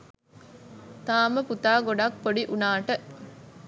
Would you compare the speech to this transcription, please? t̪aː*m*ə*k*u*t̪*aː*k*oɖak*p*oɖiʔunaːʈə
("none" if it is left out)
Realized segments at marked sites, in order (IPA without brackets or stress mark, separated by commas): m, p, t̪, ɡ, p